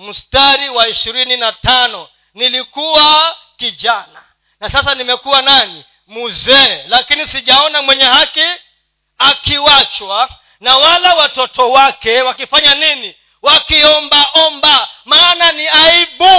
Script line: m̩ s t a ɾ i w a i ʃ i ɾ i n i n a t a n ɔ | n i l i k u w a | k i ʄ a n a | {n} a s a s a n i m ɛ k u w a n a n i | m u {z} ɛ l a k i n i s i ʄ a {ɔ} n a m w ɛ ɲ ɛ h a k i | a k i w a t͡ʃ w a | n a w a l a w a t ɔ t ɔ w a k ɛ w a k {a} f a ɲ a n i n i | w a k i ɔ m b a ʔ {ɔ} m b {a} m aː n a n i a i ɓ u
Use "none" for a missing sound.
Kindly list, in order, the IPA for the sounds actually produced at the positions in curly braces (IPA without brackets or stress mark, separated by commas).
n, z, ɔ, i, ɔ, a